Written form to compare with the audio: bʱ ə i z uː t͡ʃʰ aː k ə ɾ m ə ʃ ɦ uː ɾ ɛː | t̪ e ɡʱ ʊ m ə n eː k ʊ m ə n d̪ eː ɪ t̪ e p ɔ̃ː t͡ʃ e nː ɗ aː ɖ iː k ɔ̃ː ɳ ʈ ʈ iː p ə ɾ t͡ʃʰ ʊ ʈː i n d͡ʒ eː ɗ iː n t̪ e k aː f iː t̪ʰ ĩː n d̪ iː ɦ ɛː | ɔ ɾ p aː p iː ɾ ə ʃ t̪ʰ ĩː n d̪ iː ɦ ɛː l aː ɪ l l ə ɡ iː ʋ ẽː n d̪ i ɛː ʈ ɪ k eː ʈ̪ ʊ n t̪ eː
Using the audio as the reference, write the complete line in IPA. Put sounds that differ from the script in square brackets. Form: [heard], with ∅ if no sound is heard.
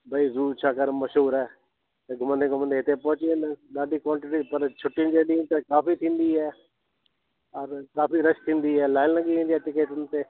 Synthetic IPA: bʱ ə i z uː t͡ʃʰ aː k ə ɾ m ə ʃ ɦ uː ɾ ɛː | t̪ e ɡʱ ʊ m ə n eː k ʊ m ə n d̪ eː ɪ t̪ e p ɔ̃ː t͡ʃ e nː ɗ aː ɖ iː k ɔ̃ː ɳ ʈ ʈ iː p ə ɾ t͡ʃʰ ʊ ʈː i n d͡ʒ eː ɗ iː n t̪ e k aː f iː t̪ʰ ĩː n d̪ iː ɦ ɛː | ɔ ɾ [k] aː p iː ɾ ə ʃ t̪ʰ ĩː n d̪ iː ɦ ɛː l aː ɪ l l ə ɡ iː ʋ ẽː n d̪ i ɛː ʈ ɪ k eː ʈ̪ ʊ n t̪ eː